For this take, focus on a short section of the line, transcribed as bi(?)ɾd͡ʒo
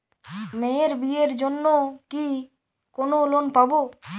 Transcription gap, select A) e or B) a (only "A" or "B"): A